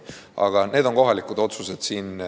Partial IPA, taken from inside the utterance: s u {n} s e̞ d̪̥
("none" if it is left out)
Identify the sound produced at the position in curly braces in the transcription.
none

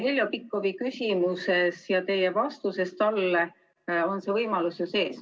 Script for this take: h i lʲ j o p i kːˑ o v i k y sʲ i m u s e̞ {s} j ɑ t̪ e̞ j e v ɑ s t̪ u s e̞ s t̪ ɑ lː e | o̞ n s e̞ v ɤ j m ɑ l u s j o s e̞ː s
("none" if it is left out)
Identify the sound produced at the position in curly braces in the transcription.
s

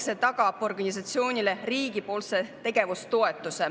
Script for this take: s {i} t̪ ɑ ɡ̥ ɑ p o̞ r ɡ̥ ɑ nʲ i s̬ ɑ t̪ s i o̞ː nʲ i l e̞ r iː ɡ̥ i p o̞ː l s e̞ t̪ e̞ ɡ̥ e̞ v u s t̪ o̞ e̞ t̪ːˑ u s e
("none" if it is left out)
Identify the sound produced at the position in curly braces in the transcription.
e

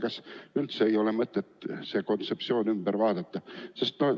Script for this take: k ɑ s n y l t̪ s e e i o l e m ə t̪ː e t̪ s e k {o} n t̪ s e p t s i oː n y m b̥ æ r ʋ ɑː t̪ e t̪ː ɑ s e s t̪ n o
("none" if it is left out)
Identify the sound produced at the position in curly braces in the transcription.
o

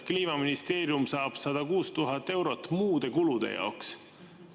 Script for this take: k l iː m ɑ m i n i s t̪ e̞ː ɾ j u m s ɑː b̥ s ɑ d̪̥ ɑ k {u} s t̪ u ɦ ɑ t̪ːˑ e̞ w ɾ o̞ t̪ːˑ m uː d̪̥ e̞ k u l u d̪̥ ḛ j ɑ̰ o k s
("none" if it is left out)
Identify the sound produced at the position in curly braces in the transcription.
uː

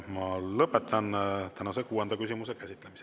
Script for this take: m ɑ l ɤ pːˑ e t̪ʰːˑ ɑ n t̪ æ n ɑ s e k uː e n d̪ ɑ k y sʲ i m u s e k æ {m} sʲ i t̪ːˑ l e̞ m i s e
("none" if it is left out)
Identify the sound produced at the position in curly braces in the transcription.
none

